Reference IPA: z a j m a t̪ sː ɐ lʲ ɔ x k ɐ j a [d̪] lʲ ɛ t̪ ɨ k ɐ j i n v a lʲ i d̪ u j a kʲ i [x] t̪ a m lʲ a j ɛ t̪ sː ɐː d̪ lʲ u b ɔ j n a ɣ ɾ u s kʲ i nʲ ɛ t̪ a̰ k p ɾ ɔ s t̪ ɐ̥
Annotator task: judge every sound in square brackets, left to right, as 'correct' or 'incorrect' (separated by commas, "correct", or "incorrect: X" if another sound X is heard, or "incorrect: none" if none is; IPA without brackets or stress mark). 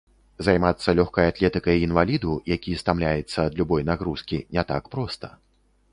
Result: incorrect: t̪, incorrect: s